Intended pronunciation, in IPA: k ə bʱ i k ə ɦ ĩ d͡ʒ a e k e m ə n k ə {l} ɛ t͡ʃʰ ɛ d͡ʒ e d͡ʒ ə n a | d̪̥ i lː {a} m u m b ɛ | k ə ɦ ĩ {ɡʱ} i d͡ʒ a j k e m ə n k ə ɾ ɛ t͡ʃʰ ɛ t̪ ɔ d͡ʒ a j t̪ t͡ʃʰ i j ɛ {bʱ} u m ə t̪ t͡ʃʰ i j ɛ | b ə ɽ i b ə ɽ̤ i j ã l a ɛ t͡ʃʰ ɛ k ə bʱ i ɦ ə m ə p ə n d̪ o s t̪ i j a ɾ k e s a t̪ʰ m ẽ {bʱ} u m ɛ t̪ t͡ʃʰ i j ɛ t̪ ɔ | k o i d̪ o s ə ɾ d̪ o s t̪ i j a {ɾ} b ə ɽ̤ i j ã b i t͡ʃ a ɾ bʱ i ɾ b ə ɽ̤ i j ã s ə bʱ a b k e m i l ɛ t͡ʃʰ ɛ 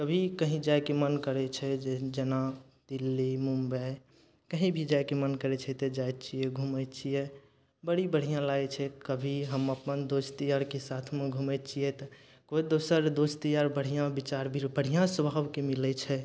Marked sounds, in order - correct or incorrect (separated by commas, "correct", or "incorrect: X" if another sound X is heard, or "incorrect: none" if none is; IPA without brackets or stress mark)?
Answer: incorrect: ɾ, incorrect: i, incorrect: bʱ, incorrect: ɡʱ, incorrect: ɡʱ, correct